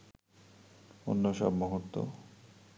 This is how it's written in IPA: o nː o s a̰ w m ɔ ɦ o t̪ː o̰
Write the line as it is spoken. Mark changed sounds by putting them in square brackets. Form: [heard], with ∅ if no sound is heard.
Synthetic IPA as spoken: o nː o [ʃ] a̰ [b] m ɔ ɦ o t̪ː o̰